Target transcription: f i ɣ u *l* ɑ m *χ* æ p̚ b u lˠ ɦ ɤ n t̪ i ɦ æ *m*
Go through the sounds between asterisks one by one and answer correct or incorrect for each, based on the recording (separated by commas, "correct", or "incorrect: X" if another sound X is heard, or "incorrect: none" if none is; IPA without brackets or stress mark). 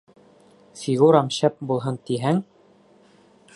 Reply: incorrect: ɾ, incorrect: ɕ, incorrect: ŋ